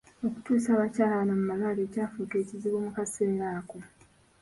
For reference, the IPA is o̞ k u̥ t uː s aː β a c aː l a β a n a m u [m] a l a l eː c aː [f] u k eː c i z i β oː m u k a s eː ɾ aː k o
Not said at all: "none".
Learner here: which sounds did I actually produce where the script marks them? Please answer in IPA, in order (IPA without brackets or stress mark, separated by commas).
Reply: m, f